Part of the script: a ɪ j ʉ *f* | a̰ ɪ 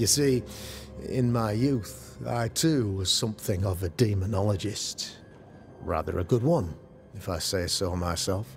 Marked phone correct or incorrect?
incorrect